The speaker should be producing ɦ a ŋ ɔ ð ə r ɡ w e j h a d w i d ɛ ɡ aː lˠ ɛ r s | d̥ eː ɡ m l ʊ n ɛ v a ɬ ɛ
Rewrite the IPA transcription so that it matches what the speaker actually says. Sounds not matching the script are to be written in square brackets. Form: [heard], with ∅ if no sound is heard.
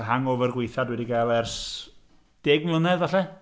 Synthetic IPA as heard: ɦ a ŋ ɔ [v] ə r ɡ w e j [θ] a d w [ɛ] d [i] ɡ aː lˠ ɛ r s | d̥ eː ɡ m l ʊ n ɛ [ð] a ɬ ɛ